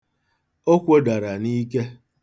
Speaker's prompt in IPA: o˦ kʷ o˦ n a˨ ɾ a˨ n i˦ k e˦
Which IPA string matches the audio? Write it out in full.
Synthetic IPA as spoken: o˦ kʷ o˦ d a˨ ɾ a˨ n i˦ k e˦